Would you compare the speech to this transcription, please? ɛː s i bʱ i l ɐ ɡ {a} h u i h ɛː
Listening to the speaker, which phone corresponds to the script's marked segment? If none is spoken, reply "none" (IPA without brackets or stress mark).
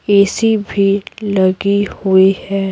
i